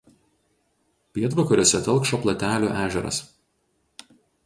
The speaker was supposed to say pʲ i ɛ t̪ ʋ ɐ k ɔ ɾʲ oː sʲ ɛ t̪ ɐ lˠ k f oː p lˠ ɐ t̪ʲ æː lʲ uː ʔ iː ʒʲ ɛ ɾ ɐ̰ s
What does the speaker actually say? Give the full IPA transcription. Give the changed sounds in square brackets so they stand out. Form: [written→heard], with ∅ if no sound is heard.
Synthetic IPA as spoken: pʲ i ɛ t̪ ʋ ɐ k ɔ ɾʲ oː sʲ ɛ t̪ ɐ lˠ k [f→ʃ] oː p lˠ ɐ t̪ʲ æː lʲ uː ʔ [iː→æː] ʒʲ ɛ ɾ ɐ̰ s

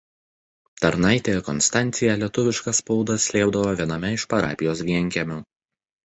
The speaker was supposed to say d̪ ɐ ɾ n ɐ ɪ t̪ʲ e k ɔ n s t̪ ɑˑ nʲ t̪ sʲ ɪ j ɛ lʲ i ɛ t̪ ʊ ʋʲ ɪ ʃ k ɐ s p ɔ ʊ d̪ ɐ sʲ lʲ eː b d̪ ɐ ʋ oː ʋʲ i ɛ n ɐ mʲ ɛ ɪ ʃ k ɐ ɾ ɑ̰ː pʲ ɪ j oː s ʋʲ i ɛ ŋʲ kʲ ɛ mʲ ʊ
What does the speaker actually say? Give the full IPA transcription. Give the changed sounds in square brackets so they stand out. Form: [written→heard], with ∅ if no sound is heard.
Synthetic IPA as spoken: [d̪→t̪] ɐ ɾ n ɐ ɪ t̪ʲ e k ɔ n s t̪ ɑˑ nʲ t̪ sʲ ɪ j ɛ lʲ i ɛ t̪ ʊ ʋʲ ɪ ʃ k ɐ s p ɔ ʊ d̪ ɐ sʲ lʲ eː b d̪ ɐ ʋ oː ʋʲ i ɛ n ɐ mʲ ɛ ɪ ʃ [k→p] ɐ ɾ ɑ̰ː pʲ ɪ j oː s ʋʲ i ɛ ŋʲ kʲ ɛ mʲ ʊ

